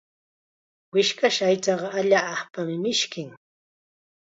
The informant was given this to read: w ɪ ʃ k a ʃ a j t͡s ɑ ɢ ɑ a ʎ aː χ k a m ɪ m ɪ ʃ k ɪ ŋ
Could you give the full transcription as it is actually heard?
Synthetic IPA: w ɪ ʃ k a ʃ a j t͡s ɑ ɢ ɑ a ʎ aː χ p a m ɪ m ɪ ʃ k ɪ ŋ